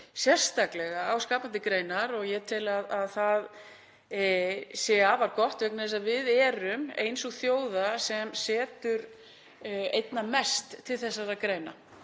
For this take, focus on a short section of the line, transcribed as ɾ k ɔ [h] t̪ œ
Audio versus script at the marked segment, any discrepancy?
no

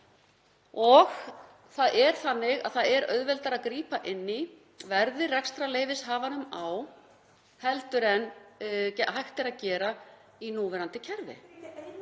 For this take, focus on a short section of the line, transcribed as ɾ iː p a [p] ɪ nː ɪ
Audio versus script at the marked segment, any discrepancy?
yes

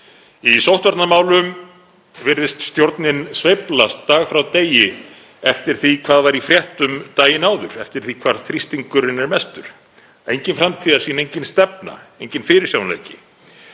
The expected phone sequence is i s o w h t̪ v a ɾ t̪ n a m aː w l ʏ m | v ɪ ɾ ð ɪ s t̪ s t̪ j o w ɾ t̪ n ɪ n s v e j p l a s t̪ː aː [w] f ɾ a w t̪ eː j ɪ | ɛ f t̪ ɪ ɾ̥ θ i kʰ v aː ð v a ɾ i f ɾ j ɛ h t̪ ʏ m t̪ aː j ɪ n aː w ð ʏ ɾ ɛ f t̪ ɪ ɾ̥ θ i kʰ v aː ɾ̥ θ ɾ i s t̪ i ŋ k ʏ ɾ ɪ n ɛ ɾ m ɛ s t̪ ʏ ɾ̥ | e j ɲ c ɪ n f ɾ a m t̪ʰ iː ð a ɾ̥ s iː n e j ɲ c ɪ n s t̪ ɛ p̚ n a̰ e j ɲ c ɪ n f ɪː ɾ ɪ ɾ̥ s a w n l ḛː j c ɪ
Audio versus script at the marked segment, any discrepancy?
yes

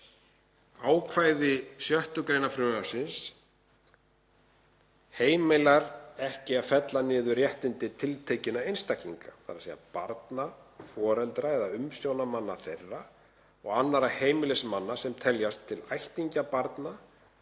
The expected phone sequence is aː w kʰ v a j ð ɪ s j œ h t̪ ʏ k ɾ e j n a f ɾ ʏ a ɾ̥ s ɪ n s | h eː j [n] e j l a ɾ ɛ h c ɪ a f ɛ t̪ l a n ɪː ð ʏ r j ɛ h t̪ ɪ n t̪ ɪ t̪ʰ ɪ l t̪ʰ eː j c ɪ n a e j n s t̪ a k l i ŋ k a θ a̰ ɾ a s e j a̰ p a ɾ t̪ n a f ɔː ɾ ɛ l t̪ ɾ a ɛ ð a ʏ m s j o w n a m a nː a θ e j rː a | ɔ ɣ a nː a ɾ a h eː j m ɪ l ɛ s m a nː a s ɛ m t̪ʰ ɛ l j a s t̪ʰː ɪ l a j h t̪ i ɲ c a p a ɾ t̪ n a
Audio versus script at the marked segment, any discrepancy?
yes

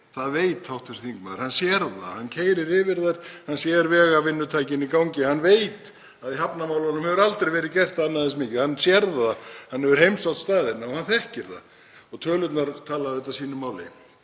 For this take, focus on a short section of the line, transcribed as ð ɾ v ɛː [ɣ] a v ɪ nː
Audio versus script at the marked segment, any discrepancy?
no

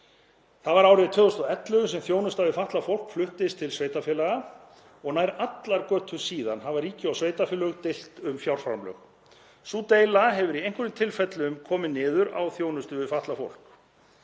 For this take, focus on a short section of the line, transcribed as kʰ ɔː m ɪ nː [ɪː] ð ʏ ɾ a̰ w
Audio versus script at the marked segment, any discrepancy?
no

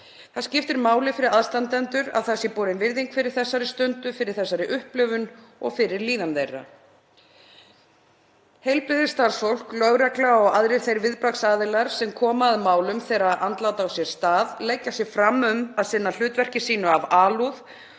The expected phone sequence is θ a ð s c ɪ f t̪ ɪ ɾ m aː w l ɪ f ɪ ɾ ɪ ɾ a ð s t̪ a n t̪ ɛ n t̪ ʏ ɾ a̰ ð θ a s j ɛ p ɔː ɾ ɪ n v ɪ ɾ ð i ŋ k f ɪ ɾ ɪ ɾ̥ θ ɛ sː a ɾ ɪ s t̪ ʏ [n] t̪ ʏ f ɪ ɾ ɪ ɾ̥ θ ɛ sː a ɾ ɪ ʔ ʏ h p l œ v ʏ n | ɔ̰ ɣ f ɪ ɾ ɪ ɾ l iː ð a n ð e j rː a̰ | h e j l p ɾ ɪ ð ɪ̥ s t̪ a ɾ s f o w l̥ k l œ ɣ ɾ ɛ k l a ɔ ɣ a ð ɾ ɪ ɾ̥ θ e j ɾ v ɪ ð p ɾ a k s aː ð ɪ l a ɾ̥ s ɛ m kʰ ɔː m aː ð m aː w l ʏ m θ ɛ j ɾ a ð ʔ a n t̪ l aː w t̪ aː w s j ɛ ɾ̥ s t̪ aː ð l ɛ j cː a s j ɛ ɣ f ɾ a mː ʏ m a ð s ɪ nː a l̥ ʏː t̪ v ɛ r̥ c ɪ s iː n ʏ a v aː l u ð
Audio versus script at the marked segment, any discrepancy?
no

